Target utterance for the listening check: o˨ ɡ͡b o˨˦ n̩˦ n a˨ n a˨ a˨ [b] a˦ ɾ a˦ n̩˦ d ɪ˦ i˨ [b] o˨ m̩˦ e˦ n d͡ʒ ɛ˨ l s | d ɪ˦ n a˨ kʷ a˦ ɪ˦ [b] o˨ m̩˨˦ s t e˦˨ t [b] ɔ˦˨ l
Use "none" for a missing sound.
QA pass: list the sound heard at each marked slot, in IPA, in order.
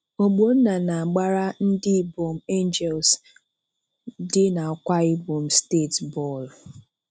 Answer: ɡ͡b, b, b, b

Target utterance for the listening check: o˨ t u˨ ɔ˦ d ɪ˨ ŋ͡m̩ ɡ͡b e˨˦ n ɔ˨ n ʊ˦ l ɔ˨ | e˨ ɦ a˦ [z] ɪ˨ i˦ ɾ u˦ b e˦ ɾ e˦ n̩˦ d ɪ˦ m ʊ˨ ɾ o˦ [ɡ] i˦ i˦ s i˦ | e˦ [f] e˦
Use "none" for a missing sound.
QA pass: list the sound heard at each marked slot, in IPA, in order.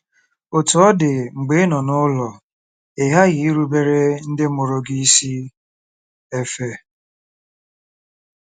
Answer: ɣ, ɡ, f

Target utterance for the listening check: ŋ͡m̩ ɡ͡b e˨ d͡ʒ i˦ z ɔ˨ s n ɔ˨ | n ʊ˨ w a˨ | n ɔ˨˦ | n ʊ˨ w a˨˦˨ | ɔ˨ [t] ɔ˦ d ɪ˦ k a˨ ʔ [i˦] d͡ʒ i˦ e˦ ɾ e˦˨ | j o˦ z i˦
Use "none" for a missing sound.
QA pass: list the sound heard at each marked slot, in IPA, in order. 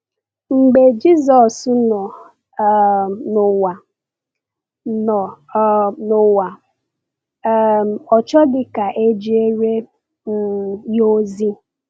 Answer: t͡ʃ, e˦

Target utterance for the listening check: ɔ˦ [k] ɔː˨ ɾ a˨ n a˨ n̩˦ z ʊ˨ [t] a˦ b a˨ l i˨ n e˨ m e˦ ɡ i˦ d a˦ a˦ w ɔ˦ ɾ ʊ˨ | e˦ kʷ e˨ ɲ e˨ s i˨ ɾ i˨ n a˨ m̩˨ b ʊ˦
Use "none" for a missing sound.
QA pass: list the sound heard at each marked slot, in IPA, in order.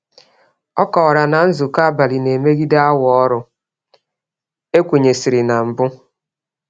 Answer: k, k

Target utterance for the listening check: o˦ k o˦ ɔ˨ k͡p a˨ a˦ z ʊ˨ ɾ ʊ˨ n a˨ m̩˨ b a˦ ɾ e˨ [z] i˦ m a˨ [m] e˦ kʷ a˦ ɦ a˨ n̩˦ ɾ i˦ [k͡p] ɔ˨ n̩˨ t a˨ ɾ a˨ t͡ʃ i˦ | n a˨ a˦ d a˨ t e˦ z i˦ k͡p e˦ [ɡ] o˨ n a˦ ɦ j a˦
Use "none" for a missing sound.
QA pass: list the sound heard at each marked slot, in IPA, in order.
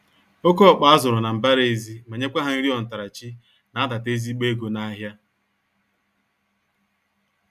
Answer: z, ɲ, none, ɡ

